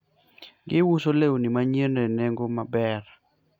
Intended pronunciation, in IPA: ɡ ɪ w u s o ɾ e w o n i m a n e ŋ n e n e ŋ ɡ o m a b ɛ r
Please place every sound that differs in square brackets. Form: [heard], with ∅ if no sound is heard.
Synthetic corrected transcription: ɡ ɪ w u s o [l] e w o n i m a [ɲ] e [∅] n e n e ŋ ɡ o m a b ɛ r